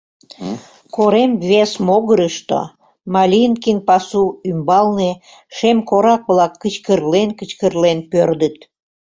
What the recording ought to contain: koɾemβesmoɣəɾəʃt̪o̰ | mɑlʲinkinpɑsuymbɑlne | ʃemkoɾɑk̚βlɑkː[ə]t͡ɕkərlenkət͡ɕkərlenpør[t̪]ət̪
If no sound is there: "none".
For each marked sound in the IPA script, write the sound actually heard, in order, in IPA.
ə, d̪

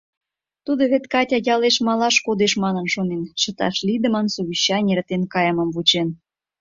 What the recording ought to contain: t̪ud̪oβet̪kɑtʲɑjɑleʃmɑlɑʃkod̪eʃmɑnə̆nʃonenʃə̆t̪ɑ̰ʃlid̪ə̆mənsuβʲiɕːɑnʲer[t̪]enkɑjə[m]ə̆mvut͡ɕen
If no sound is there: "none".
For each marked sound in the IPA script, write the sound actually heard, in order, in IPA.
t̪, m

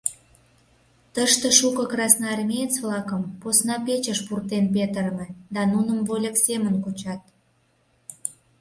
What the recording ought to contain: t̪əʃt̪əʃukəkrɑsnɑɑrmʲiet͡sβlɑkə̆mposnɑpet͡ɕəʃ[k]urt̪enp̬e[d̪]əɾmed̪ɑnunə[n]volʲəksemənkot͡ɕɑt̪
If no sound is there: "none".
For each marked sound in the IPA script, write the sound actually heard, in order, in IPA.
p, t̪, m

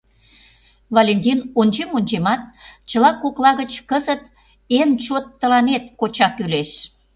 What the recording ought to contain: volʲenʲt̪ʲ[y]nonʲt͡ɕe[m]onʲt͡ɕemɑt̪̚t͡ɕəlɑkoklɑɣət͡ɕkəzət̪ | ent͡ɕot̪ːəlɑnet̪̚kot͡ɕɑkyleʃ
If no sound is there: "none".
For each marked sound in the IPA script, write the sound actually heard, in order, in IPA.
i, m

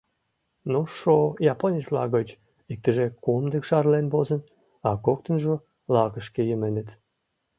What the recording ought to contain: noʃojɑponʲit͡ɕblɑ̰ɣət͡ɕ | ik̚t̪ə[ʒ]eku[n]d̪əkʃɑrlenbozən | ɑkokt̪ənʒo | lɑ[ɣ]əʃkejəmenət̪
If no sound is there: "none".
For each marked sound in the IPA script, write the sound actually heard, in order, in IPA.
ʒ, m, ɣ

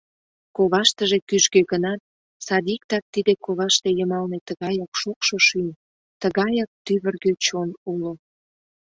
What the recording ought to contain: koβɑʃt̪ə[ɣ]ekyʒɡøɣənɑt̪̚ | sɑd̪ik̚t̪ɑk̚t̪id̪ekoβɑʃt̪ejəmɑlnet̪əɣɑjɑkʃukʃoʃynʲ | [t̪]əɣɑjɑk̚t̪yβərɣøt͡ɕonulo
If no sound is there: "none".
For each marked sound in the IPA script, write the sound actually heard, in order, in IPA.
ʒ, t̪

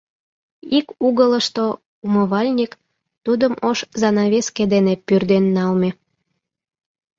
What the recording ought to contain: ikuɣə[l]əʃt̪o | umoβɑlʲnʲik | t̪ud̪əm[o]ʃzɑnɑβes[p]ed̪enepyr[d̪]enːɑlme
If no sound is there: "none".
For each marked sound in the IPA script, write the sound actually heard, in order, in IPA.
l, o, k, d̪

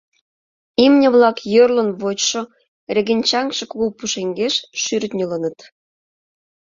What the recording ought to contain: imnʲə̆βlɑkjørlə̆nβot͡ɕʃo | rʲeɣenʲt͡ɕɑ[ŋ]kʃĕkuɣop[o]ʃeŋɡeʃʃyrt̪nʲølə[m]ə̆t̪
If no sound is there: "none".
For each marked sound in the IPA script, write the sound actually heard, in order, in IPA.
ŋ, u, n

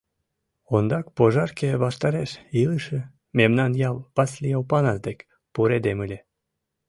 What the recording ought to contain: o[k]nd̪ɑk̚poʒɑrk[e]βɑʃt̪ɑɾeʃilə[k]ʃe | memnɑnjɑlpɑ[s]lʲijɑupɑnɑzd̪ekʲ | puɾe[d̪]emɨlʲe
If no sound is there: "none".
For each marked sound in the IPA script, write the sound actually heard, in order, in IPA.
none, e, none, s, d̪

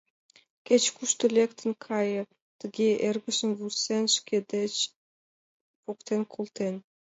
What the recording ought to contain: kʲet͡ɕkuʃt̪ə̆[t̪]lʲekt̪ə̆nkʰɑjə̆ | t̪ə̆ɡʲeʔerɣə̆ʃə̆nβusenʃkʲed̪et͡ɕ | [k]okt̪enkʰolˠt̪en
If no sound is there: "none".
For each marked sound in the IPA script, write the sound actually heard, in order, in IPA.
none, p

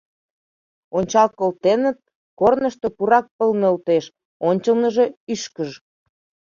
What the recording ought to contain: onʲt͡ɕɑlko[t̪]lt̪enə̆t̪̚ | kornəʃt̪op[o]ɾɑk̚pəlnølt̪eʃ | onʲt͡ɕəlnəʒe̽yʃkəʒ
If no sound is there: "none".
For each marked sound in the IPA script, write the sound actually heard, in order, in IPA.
none, u

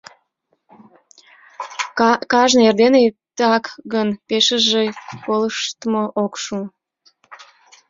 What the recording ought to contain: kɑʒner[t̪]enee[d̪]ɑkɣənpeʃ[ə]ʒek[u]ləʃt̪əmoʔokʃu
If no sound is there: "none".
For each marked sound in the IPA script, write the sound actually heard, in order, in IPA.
d̪, t̪, ə, o

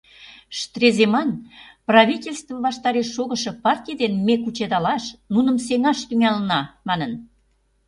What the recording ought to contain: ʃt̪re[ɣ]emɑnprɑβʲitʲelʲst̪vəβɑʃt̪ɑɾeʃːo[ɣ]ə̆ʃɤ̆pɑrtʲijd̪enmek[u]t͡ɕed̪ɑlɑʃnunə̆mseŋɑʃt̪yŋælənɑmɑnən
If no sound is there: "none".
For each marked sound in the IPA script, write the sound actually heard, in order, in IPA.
z, ɣ, u

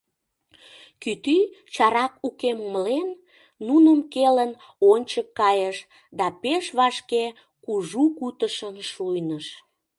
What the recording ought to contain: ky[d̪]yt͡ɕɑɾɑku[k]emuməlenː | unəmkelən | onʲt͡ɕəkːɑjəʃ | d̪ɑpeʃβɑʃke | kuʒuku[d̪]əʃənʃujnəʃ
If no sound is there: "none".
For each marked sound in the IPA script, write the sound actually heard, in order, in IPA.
t̪, k, t̪

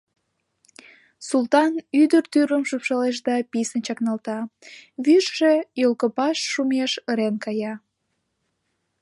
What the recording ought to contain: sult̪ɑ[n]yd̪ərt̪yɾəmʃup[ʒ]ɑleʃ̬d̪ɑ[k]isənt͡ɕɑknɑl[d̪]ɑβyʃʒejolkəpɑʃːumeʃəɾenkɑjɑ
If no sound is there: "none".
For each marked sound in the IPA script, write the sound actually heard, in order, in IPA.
n, ʃ, p, t̪

